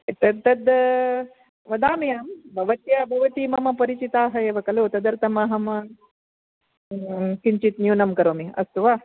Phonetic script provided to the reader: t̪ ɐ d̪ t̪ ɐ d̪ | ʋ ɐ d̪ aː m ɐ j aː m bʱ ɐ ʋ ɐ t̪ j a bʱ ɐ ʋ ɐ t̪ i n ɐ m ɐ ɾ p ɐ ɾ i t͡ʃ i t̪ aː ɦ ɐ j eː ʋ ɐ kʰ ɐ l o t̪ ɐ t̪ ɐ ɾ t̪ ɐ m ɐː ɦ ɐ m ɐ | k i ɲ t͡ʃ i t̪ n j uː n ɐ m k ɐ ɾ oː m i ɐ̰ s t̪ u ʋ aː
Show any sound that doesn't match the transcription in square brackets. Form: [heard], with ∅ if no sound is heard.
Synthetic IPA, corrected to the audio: t̪ ɐ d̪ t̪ ɐ d̪ | ʋ ɐ d̪ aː m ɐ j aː m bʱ ɐ ʋ ɐ t̪ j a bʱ ɐ ʋ ɐ t̪ i [m] ɐ m ɐ [∅] p ɐ ɾ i t͡ʃ i t̪ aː ɦ ɐ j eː ʋ ɐ [k] ɐ l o t̪ ɐ [d̪] ɐ ɾ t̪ ɐ m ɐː ɦ ɐ m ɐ | k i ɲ t͡ʃ i t̪ n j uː n ɐ m k ɐ ɾ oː m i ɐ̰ s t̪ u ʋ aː